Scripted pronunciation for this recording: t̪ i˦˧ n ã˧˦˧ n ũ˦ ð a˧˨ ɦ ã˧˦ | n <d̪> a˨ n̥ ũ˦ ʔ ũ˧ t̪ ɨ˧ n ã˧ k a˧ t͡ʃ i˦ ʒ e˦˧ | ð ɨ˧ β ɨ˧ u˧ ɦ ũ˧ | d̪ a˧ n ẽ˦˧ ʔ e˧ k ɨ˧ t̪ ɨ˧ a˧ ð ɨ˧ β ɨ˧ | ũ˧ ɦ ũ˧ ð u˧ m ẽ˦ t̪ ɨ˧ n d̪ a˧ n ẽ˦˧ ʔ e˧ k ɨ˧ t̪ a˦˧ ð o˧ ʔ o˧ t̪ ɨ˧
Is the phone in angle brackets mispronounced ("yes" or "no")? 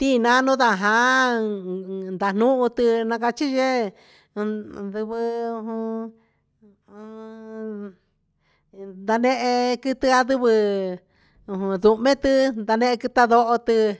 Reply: no